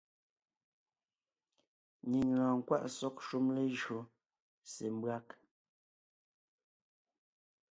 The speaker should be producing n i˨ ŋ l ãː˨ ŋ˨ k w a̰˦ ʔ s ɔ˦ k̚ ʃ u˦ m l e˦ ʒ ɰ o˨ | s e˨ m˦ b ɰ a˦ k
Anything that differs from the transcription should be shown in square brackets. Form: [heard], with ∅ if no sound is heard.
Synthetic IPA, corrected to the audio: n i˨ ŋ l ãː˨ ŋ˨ k w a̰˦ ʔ s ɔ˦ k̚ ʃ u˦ m l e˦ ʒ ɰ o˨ | s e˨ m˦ b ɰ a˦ k